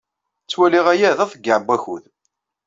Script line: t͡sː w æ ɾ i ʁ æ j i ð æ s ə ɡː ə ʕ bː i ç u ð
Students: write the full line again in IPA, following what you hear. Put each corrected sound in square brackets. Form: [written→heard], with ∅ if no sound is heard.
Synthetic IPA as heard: t͡sː w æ [ɾ→l] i ʁ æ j [i→æ] ð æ [s→θ] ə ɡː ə ʕ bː [i→æ] ç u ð